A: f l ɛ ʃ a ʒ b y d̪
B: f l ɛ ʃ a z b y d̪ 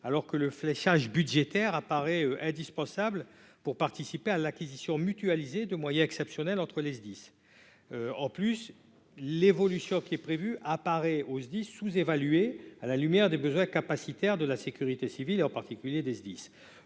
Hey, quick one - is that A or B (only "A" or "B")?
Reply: A